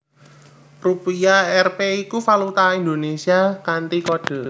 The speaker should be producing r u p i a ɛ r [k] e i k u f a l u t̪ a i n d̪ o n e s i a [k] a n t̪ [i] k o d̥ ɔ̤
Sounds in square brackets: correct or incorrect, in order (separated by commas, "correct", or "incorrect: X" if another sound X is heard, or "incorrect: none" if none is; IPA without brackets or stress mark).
incorrect: p, correct, correct